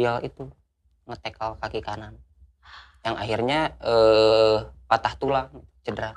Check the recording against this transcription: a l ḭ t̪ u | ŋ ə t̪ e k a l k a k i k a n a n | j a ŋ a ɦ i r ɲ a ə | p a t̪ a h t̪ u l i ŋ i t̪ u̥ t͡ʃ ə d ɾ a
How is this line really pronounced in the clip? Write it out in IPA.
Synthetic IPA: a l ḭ t̪ u | ŋ ə t̪ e k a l k a k i k a n a n | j a ŋ a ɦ i r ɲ a ə | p a t̪ a h t̪ u l a ŋ i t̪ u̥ t͡ʃ ə d ɾ a